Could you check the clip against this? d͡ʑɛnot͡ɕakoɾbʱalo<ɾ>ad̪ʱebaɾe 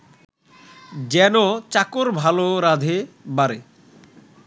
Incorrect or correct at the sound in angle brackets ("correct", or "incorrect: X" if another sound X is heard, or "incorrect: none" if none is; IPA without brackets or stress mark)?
correct